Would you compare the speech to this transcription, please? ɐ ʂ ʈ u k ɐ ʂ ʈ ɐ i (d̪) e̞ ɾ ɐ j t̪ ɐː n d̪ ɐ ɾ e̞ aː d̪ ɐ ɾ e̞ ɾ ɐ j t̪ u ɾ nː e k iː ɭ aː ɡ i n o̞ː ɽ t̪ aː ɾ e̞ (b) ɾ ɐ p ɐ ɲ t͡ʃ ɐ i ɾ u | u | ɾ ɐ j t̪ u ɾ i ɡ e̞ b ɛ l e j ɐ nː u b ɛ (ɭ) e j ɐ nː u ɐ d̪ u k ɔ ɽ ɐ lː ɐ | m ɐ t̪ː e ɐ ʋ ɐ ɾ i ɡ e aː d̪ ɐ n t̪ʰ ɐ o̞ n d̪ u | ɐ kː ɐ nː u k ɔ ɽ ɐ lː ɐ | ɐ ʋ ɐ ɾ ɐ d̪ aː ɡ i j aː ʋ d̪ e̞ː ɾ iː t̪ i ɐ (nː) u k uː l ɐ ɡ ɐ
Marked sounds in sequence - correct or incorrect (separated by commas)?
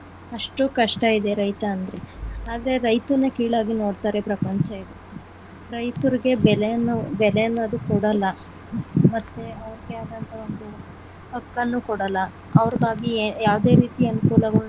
correct, incorrect, incorrect, incorrect